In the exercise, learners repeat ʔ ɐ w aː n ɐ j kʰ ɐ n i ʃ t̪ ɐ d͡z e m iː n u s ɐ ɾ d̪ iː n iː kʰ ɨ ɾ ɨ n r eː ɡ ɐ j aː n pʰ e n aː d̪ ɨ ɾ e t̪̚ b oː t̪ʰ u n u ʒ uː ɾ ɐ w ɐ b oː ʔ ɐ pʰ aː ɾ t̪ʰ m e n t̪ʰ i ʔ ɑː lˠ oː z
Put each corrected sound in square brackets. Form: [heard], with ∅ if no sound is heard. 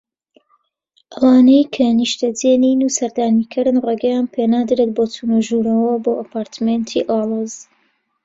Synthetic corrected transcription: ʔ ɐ w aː n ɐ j kʰ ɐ n i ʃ t̪ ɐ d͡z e [n] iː n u s ɐ ɾ d̪ [aː] n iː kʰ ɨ ɾ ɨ n r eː ɡ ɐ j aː n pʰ e n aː d̪ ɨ ɾ e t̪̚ b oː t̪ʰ u n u ʒ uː ɾ ɐ w ɐ b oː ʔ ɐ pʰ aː ɾ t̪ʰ m e n t̪ʰ i ʔ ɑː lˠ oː z